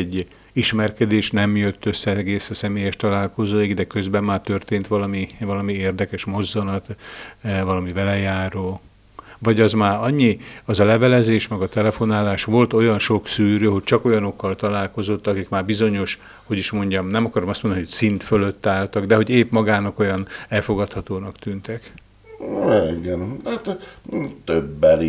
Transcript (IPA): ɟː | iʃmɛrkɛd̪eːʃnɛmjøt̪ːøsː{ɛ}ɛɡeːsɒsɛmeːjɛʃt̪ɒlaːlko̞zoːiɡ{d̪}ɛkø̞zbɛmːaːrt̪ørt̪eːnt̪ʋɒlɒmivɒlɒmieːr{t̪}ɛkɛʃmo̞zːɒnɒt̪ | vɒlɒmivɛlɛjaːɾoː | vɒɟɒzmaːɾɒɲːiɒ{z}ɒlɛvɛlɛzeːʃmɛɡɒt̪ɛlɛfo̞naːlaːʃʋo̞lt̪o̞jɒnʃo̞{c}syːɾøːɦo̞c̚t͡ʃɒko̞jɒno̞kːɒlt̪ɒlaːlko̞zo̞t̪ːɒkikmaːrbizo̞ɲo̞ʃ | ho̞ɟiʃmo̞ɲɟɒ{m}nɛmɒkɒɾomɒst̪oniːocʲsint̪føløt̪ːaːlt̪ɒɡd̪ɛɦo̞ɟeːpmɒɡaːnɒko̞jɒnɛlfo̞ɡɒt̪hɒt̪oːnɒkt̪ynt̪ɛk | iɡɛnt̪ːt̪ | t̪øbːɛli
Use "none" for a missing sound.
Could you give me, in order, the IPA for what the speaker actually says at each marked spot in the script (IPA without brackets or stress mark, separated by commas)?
ɛ, d̪, d̪, z, k, m